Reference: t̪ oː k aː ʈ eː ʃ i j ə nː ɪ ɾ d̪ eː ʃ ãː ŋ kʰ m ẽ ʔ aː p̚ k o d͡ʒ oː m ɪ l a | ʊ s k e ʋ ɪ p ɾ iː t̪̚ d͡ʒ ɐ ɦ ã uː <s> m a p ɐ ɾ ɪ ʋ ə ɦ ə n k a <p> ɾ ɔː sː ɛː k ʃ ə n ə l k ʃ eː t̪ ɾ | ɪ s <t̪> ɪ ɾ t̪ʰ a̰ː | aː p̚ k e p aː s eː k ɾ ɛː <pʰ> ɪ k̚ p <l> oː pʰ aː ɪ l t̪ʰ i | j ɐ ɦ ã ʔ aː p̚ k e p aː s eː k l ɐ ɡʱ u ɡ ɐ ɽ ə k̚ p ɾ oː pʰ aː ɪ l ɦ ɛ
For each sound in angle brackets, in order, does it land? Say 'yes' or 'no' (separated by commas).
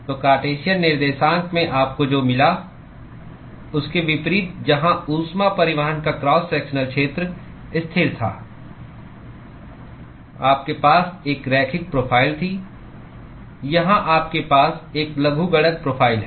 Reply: yes, no, no, no, no